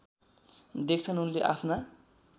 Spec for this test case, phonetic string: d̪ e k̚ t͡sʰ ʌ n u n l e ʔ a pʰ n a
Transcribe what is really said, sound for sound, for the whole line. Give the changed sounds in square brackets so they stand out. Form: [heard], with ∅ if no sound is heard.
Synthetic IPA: d̪ e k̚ t͡sʰ ʌ n u n l e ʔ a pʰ n a